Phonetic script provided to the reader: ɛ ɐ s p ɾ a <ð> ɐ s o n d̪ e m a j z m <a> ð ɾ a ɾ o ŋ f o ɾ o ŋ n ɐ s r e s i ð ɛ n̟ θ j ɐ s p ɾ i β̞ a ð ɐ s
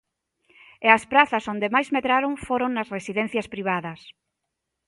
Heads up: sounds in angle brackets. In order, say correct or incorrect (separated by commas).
incorrect, incorrect